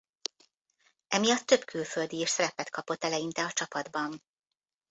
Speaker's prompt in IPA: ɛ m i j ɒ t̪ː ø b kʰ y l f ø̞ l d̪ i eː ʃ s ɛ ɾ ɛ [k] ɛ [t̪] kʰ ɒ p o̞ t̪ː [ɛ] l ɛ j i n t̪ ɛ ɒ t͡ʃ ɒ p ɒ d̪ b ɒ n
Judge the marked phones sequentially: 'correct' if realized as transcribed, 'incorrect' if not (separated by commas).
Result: incorrect, correct, correct